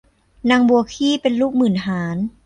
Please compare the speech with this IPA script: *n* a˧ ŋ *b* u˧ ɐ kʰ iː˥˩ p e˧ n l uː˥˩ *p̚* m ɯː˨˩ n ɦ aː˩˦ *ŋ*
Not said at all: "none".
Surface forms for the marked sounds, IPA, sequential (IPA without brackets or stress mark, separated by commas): n, b, k̚, n